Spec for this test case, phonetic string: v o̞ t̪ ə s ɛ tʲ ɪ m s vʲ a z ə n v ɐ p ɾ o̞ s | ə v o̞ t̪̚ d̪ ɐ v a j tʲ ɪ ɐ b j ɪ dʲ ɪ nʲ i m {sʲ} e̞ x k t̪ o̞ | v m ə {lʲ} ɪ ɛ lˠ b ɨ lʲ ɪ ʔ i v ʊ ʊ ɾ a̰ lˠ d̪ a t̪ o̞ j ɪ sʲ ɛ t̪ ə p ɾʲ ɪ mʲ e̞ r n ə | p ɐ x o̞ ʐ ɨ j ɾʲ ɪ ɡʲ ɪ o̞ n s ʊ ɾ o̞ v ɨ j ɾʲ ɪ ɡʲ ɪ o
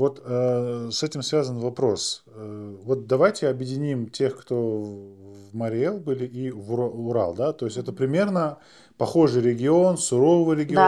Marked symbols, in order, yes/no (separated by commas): no, no